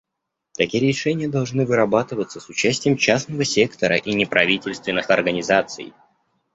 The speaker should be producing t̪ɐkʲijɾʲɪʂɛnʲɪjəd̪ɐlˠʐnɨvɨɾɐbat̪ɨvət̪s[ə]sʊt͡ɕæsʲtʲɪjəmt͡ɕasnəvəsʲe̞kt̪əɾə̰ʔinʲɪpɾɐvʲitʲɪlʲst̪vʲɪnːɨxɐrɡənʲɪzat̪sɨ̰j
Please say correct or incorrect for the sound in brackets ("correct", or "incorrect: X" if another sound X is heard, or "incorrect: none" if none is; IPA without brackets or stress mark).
correct